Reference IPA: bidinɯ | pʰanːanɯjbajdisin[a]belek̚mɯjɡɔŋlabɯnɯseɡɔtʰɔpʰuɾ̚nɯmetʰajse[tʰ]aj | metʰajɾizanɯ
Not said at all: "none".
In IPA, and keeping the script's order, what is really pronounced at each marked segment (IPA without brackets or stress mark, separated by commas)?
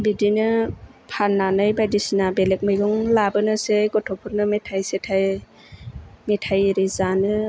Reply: a, tʰ